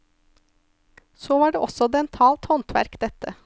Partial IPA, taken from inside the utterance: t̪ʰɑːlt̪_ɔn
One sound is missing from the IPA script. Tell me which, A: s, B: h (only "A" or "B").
B